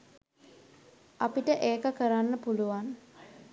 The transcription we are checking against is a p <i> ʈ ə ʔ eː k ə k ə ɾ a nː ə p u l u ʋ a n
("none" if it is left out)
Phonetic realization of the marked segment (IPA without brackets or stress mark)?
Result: i